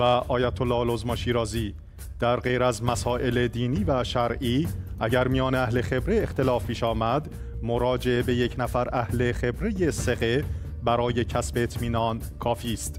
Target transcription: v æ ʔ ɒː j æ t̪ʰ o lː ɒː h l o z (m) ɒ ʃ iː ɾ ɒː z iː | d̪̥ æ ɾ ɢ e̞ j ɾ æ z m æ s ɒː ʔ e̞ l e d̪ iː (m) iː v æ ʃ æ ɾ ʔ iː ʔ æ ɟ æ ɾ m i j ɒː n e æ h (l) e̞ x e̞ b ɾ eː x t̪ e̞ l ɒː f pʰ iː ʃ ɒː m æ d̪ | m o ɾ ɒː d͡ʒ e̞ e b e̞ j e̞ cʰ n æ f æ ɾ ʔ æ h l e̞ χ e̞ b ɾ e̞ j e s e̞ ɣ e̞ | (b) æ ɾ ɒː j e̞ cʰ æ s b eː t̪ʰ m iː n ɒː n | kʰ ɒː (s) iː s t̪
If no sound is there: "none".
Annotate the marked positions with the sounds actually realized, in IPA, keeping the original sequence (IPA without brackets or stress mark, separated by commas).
m, n, l, b, f